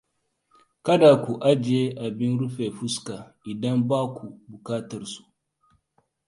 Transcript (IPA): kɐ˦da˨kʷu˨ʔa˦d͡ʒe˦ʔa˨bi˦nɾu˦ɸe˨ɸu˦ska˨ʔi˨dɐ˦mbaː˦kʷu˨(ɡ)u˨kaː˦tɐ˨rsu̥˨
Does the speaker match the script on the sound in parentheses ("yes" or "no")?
no